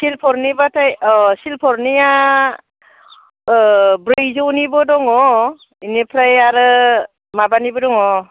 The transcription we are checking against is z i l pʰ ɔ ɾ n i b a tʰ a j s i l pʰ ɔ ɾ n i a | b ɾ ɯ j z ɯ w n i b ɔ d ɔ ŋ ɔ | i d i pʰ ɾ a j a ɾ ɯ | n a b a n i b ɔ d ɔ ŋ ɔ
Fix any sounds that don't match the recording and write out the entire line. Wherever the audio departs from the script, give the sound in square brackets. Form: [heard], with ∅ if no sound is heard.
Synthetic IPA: [s] i l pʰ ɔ ɾ n i b a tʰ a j s i l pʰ ɔ ɾ n i a | b ɾ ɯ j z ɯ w n i b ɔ d ɔ ŋ ɔ | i [n] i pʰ ɾ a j a ɾ ɯ | [m] a b a n i b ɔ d ɔ ŋ ɔ

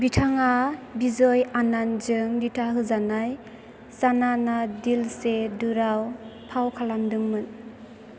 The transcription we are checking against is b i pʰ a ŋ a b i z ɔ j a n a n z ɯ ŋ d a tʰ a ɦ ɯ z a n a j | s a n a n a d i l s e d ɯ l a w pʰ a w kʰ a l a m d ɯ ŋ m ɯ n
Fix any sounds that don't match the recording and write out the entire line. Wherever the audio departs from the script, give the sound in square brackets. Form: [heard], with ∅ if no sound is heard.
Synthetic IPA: b i [tʰ] a ŋ a b i z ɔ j a n a n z ɯ ŋ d [i] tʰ a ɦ ɯ z a n a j | s a n a n a d i l s e d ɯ [ɾ] a w pʰ a w kʰ a l a m d ɯ ŋ m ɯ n

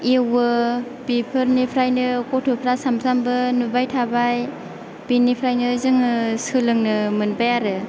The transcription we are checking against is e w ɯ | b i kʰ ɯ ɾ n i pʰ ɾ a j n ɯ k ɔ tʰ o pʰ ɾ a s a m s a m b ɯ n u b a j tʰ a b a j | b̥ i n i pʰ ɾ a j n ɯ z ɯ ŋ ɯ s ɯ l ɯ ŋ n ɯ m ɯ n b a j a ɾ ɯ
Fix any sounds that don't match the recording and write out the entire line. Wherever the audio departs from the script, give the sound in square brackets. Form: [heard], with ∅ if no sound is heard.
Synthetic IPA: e w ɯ | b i [pʰ] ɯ ɾ n i pʰ ɾ a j n ɯ k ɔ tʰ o pʰ ɾ a s a m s a m b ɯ n u b a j tʰ a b a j | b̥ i n i pʰ ɾ a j n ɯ z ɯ ŋ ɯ s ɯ l ɯ ŋ n ɯ m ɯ n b a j a ɾ ɯ

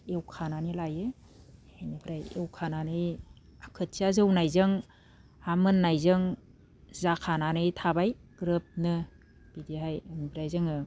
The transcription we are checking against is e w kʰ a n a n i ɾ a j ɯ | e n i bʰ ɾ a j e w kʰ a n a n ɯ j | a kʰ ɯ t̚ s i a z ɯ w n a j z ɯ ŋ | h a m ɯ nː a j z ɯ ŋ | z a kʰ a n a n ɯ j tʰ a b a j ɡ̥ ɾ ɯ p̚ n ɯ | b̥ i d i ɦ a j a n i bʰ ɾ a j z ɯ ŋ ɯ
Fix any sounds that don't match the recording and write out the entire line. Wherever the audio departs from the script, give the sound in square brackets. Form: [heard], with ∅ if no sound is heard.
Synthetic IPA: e w kʰ a n a n i [l] a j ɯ | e n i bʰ ɾ a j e w kʰ a n a n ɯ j | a kʰ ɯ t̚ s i a z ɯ w n a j z ɯ ŋ | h a m ɯ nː a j z ɯ ŋ | z a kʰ a n a n ɯ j tʰ a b a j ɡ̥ ɾ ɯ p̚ n ɯ | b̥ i d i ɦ a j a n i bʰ ɾ a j z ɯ ŋ ɯ

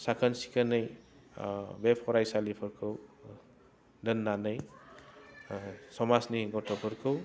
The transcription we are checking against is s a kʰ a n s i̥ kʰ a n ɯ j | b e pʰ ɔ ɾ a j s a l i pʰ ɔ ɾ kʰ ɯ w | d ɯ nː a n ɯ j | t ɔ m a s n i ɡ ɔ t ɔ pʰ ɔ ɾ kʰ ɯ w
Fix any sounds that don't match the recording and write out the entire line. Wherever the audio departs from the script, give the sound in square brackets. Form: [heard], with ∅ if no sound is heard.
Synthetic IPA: s a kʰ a n s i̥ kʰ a n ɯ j | b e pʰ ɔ ɾ a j s a l i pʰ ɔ ɾ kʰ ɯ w | d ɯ nː a n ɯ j | [s] ɔ m a s n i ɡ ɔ t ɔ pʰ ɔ ɾ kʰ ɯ w

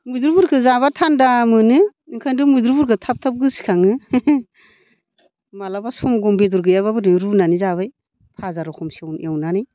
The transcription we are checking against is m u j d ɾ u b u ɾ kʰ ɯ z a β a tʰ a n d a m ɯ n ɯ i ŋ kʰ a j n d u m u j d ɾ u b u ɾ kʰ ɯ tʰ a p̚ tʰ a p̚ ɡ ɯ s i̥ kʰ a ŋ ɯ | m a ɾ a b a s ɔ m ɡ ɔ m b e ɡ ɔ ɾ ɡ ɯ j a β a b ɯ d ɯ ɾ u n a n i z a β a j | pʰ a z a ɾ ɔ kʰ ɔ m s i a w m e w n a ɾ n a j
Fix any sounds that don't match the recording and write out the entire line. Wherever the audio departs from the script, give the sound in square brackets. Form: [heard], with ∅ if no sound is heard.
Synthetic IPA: m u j d ɾ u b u ɾ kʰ ɯ z a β a tʰ a n d a m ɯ n ɯ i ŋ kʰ a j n d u m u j d ɾ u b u ɾ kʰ ɯ tʰ a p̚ tʰ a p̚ ɡ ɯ s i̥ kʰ a ŋ ɯ | m a [l] a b a s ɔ m ɡ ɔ m b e [d] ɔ ɾ ɡ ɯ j a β a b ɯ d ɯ ɾ u n a n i z a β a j | pʰ a z a ɾ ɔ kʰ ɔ m s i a w [n] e w n a [∅] n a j

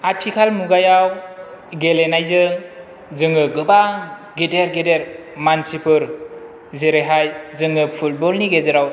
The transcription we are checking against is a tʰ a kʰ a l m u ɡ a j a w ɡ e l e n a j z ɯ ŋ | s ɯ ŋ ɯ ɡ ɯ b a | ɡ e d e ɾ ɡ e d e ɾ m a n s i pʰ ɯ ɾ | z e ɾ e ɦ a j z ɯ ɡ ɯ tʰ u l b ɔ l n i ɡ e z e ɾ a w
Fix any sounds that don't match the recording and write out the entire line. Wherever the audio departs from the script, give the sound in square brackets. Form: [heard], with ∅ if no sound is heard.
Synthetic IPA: a tʰ [i] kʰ a l m u ɡ a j a w ɡ e l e n a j z ɯ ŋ | [z] ɯ ŋ ɯ ɡ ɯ b a | ɡ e d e ɾ ɡ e d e ɾ m a n s i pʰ ɯ ɾ | z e ɾ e ɦ a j z ɯ [ŋ] ɯ [pʰ] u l b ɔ l n i ɡ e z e ɾ a w

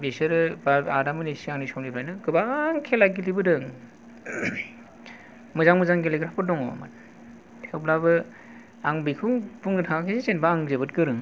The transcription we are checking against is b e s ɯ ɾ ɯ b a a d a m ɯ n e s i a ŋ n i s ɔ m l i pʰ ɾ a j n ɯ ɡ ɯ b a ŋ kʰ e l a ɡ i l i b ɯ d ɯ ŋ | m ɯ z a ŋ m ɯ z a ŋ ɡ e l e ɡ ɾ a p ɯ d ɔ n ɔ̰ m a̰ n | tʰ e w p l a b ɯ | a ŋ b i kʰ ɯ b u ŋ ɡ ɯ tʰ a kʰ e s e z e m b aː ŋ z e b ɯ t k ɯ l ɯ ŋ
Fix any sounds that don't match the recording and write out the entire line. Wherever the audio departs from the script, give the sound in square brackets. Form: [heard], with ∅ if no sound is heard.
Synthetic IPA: b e s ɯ ɾ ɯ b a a d a m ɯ n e s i a ŋ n i s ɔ m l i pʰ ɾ a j n ɯ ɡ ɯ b a ŋ kʰ e l a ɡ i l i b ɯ d ɯ ŋ | m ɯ z a ŋ m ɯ z a ŋ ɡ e l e ɡ ɾ a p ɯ d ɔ [ŋ] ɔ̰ m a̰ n | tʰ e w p l a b ɯ | a ŋ b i kʰ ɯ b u ŋ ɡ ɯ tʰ a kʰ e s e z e [n] b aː ŋ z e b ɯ t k ɯ [ɾ] ɯ ŋ

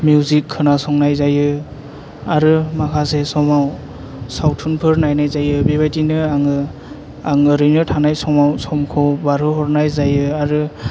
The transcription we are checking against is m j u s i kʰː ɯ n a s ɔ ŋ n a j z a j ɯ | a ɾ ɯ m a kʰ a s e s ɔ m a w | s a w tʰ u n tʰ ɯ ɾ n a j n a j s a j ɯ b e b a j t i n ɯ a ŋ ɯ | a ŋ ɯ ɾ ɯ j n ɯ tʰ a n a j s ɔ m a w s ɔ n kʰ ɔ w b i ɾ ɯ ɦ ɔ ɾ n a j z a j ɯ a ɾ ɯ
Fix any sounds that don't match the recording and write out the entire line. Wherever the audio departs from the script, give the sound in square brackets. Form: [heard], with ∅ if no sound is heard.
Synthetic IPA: m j u [z] i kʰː ɯ n a s ɔ ŋ n a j z a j ɯ | a ɾ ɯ m a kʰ a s e s ɔ m a w | s a w tʰ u n [pʰ] ɯ ɾ n a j n a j [z] a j ɯ b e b a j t i n ɯ a ŋ ɯ | a ŋ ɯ ɾ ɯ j n ɯ tʰ a n a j s ɔ m a w s ɔ [m] kʰ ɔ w b [a] ɾ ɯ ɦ ɔ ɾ n a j z a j ɯ a ɾ ɯ

